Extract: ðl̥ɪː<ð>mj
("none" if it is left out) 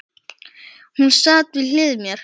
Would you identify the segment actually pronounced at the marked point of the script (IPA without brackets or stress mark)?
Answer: ð